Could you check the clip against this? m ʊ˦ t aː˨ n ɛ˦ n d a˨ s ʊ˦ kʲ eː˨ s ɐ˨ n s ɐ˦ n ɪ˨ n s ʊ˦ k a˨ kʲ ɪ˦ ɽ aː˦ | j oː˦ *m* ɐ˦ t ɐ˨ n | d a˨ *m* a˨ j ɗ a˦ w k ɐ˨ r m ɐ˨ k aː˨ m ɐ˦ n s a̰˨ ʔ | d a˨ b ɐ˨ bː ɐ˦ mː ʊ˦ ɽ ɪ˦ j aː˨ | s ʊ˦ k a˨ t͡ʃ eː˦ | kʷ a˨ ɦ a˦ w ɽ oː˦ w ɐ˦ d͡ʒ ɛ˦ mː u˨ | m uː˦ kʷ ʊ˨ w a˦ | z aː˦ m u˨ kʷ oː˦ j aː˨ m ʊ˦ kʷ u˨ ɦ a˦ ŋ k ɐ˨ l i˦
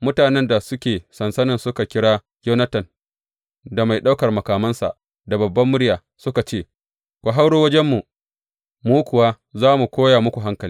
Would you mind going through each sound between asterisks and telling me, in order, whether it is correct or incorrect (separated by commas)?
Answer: incorrect, correct